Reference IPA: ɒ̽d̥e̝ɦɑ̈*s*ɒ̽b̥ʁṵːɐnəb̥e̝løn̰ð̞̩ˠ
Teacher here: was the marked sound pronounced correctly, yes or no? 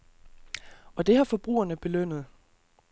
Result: no